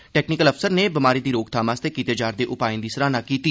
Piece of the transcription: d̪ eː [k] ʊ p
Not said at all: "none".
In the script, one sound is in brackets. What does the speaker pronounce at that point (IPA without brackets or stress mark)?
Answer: ʔ